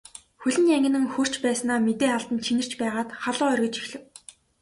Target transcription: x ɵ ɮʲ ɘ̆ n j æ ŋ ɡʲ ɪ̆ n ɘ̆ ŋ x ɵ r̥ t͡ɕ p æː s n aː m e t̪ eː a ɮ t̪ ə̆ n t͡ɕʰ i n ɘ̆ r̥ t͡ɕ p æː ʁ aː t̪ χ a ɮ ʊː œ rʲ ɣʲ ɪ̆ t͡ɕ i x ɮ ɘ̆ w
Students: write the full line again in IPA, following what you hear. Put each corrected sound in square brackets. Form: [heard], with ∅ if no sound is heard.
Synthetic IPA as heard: x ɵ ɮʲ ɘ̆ n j æ ŋ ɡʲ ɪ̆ n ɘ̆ ŋ x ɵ r̥ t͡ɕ p æː s n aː m e t̪ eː a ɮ t̪ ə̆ n t͡ɕʰ i n ɘ̆ r̥ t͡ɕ p æː ʁ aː t̪ χ a ɮ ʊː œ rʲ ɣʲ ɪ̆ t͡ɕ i x ɮ ɘ̆ w